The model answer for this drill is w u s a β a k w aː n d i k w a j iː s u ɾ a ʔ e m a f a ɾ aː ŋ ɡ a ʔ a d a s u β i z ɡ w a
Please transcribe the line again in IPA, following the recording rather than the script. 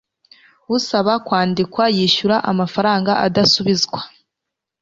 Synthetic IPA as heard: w u s a β a k w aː n d i k w a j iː ʃ u ɾ a ʔ a m a f a ɾ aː ŋ ɡ a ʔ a d a s u β i z ɡ w a